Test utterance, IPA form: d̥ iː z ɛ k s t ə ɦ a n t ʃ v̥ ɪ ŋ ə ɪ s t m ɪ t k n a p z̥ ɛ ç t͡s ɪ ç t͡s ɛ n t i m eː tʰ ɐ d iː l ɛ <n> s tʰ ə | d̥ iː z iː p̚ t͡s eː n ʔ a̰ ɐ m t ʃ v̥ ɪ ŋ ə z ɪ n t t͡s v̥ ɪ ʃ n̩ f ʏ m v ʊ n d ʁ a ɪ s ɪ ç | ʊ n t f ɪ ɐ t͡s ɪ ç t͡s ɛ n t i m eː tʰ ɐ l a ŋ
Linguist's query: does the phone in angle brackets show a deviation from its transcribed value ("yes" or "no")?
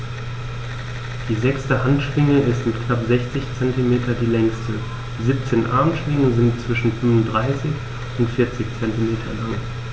yes